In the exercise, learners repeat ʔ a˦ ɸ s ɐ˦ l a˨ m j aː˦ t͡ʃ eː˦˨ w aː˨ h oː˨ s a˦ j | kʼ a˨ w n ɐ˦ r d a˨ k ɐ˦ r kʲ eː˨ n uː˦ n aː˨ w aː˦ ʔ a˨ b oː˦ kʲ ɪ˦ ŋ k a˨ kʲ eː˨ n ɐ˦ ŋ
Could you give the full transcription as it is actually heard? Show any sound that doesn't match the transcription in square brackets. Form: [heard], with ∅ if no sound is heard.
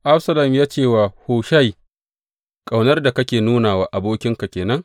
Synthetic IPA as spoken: ʔ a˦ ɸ s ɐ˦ l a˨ m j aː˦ t͡ʃ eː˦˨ w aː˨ h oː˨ [ʃ] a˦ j | kʼ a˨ w n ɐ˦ r d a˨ k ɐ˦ [∅] kʲ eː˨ n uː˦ n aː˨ w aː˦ ʔ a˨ b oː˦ kʲ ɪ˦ ŋ k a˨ kʲ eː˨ n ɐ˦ ŋ